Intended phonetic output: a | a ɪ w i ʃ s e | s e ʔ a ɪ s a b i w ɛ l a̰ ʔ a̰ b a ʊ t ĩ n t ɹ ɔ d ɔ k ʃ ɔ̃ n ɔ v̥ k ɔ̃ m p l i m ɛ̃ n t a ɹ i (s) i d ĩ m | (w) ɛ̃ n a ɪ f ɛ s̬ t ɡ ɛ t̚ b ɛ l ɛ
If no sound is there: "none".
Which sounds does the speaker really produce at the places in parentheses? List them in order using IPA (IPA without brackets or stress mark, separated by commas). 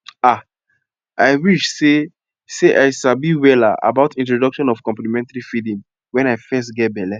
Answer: f, w